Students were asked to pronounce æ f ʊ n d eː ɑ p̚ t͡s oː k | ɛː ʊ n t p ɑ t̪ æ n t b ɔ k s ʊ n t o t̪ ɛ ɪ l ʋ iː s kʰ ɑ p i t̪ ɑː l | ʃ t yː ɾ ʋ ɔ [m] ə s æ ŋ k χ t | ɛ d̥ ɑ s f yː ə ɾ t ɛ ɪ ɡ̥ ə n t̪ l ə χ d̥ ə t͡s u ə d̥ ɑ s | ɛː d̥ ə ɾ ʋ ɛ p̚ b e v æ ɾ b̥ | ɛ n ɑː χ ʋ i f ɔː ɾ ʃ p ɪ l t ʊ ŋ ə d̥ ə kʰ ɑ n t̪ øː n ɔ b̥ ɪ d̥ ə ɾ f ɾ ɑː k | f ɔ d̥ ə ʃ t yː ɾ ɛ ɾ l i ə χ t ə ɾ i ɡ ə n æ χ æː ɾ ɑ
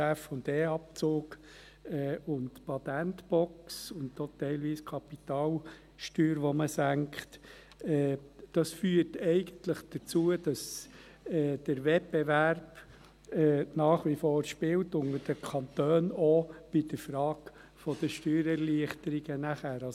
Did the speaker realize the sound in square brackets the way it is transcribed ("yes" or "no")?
yes